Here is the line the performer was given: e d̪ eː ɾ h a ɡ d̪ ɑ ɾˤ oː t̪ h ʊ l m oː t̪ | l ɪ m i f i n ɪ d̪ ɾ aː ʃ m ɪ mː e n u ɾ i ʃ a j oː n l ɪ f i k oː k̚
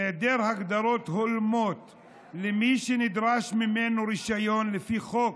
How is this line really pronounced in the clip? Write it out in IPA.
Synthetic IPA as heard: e d̪ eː ɾ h a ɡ d̪ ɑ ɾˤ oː t̪ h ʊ l m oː t̪ | l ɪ m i ʃ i n ɪ d̪ ɾ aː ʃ m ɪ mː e n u ɾ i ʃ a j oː n l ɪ f i x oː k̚